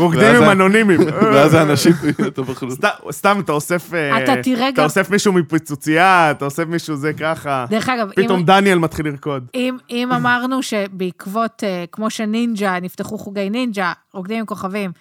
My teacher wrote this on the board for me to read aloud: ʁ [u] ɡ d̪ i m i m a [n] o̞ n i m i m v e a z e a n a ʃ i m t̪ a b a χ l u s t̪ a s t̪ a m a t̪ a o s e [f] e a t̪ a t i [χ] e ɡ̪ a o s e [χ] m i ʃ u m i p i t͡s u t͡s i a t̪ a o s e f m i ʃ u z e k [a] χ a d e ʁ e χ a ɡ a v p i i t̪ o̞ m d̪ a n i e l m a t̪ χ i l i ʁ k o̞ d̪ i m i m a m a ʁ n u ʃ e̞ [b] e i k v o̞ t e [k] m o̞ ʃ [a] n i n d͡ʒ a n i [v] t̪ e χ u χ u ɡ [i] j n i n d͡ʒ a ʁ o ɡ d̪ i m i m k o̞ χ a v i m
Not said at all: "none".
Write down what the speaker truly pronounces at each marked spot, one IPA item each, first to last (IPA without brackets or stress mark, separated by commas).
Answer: o, n, f, ʁ, f, a, b, k, e, f, e